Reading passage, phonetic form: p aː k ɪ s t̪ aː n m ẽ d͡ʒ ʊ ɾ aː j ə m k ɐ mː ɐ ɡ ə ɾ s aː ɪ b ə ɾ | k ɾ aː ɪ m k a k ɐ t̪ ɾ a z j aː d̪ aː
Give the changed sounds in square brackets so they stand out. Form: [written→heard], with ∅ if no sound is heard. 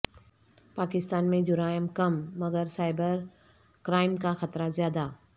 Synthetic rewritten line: p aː k ɪ s t̪ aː n m ẽ d͡ʒ ʊ ɾ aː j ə m k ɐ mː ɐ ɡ ə ɾ s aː ɪ b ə ɾ | k ɾ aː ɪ m k a [k→x] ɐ t̪ ɾ a z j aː d̪ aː